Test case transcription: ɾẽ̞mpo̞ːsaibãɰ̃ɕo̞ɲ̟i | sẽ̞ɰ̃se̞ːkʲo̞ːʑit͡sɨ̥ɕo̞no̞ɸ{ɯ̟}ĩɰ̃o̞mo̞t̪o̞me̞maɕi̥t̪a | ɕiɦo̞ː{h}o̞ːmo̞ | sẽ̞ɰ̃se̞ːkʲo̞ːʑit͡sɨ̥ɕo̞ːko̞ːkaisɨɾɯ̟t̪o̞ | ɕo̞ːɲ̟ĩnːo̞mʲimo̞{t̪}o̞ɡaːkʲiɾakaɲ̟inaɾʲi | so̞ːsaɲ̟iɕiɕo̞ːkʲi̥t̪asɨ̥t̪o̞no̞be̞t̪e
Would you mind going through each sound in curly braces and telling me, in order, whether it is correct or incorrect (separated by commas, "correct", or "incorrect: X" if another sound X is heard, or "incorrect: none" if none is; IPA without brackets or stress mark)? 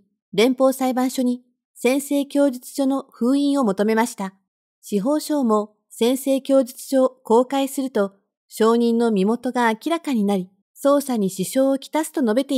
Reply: incorrect: ɯ̟ː, incorrect: ɕ, correct